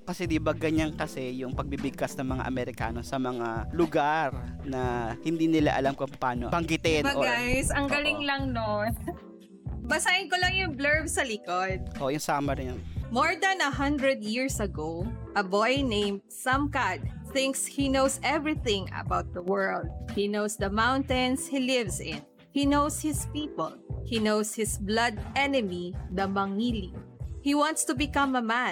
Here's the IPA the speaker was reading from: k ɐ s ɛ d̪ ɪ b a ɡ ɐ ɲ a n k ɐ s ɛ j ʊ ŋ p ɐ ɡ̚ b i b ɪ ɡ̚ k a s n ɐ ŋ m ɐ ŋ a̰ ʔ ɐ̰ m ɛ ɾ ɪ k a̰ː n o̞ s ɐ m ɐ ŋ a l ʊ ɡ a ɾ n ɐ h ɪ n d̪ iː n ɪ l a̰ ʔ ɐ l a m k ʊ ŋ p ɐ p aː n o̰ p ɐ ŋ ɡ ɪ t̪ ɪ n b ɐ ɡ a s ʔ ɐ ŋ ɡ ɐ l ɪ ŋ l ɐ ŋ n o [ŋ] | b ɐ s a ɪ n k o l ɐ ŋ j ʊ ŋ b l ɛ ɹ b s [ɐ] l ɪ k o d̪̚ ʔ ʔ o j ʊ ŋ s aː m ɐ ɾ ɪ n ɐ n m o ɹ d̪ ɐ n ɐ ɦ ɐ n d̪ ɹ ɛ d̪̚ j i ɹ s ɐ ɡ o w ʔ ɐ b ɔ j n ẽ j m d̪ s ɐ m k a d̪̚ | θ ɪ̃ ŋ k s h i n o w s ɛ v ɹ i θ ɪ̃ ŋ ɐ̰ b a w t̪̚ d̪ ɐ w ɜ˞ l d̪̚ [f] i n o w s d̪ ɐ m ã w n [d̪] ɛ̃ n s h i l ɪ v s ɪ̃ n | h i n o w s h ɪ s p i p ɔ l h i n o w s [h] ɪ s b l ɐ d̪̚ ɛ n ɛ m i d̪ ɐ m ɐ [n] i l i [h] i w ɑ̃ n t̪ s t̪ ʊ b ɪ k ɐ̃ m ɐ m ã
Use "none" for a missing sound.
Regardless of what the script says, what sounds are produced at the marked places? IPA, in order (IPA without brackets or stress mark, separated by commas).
n, ɐ, h, t̪, h, ŋ, h